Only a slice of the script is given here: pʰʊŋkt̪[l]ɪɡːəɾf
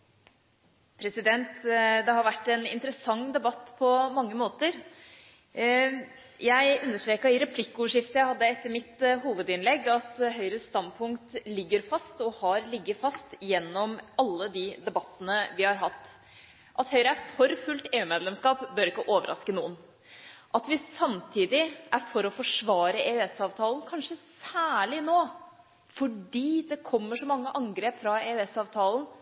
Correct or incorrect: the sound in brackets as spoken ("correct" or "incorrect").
correct